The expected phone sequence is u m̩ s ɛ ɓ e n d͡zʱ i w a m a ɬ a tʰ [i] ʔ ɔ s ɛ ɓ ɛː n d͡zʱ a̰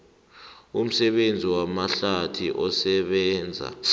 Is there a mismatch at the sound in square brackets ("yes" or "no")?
no